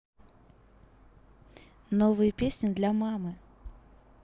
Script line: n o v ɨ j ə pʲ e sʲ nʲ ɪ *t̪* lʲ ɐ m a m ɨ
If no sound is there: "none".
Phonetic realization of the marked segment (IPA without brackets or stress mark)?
d̪